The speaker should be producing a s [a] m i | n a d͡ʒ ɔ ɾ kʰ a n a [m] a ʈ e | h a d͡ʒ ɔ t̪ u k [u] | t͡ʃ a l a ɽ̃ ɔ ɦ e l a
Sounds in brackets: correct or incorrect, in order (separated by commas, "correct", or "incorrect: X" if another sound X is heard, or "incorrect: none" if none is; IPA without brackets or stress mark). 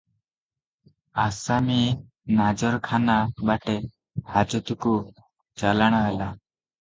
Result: correct, incorrect: b, correct